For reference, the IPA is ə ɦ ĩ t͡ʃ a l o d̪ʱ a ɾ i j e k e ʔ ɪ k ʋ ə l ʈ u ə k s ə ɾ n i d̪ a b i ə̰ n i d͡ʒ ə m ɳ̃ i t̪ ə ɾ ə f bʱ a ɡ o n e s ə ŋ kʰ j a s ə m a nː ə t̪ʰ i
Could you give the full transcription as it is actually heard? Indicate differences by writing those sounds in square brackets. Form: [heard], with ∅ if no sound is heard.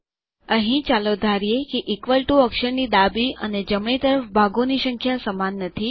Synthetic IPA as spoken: ə ɦ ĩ t͡ʃ a l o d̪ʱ a ɾ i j e k e ʔ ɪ k ʋ ə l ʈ u ə k [ʃ] ə ɾ n i d̪ a b i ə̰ n [e] d͡ʒ ə m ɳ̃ i t̪ ə ɾ ə f bʱ a ɡ o n [i] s ə ŋ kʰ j a s ə m a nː ə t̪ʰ i